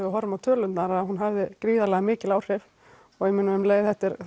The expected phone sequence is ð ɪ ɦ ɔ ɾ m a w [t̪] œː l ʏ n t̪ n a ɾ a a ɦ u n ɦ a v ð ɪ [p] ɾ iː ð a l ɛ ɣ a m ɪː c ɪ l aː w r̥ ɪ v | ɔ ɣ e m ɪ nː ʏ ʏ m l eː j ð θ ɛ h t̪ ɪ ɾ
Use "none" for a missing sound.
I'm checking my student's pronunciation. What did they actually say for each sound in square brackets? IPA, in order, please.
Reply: t̪ʰ, k

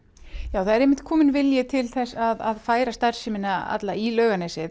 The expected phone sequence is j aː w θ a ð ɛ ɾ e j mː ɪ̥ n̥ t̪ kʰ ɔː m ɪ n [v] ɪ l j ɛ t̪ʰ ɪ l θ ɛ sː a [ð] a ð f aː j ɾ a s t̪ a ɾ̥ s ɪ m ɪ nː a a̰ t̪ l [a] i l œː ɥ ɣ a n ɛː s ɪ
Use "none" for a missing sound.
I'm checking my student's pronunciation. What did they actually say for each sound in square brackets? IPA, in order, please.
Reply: v, ð, a

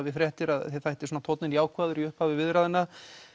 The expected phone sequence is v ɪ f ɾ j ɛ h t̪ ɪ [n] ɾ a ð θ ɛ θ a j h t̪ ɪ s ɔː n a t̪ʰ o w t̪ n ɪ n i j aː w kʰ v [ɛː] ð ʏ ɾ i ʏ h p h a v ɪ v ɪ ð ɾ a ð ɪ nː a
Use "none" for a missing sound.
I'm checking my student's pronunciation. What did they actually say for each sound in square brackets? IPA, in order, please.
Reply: none, aː

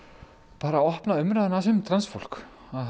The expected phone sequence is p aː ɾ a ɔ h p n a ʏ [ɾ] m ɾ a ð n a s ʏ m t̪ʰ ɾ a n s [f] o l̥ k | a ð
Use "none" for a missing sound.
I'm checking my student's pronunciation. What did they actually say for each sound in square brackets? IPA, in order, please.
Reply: none, f

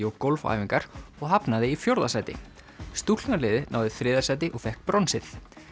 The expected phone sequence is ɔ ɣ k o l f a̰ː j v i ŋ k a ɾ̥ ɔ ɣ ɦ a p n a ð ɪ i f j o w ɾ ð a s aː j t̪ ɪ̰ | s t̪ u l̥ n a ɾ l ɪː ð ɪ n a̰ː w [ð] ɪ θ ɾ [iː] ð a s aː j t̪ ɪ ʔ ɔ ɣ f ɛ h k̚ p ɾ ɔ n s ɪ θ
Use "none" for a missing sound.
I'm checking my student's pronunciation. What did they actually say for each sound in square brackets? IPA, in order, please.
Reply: ð, ɪː

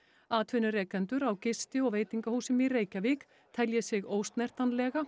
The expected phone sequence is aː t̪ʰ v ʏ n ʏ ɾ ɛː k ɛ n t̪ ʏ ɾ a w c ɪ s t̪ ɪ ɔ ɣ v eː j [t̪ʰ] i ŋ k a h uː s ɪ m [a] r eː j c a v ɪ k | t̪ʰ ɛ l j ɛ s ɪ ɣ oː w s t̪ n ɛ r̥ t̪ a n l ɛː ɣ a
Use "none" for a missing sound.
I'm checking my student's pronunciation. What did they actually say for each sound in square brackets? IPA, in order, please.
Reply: t̪, i

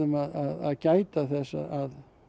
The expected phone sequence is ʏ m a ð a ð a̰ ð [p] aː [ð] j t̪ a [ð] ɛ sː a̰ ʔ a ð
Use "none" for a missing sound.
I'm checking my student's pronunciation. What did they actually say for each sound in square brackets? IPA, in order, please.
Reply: c, none, θ

